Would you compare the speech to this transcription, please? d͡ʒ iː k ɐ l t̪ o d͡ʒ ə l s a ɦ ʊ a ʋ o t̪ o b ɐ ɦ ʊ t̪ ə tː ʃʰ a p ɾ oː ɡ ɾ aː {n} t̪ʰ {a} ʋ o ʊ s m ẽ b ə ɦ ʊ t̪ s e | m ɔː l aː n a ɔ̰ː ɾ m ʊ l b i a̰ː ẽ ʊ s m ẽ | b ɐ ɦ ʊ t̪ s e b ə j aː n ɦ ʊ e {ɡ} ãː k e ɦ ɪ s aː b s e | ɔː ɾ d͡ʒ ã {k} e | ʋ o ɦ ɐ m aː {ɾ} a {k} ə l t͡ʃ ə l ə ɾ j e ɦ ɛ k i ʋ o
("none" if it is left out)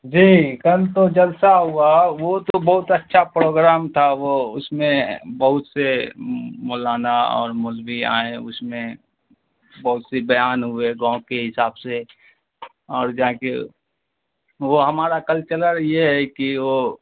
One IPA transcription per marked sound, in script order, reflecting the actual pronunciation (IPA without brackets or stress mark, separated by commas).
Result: m, a, ɡ, k, ɾ, k